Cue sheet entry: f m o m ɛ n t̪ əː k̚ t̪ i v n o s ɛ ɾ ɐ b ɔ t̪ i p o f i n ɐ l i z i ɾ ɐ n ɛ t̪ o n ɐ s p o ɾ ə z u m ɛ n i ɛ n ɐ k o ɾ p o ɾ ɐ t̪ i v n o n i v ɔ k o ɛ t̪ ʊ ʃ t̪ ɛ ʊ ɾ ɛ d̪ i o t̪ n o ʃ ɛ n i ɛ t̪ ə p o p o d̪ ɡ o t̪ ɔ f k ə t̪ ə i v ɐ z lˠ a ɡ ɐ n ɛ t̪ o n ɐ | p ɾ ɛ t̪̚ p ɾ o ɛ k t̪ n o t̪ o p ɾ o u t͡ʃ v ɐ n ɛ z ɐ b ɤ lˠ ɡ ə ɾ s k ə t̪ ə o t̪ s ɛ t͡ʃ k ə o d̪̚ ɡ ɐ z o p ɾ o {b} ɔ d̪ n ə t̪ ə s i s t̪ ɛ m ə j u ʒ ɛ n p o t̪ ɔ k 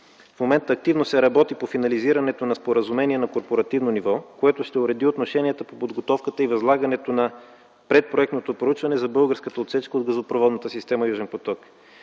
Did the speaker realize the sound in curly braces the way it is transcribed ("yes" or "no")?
no